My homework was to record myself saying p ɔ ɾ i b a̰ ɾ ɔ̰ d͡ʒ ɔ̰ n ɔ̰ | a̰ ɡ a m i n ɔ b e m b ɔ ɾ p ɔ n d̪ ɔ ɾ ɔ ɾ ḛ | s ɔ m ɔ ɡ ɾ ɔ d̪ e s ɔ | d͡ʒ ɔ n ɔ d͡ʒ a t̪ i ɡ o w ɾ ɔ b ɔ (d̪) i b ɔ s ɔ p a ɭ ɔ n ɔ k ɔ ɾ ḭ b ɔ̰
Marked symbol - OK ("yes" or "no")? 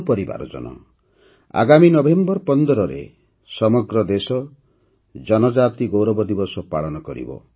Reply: yes